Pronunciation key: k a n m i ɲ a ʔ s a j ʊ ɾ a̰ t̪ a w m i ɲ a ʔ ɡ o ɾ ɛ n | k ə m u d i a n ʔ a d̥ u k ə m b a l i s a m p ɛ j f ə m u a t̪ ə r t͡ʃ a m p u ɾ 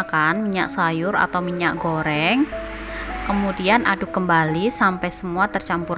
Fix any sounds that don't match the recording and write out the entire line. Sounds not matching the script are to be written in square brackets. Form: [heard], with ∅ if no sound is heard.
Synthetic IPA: k a n m i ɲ a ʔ s a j ʊ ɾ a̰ t̪ a w m i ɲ a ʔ ɡ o ɾ ɛ [ŋ] | k ə m u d i a n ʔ a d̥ u k ə m b a l i s a m p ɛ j [s] ə m u a t̪ ə r t͡ʃ a m p u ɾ